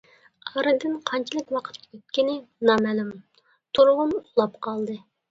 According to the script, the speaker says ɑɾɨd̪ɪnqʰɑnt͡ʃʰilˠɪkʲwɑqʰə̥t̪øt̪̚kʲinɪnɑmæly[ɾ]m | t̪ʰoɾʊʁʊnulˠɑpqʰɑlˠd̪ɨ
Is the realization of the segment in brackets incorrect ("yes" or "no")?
yes